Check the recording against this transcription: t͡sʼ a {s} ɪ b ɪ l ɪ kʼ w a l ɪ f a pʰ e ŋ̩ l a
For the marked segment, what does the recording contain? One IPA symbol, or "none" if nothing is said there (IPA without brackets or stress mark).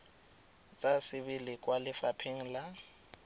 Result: s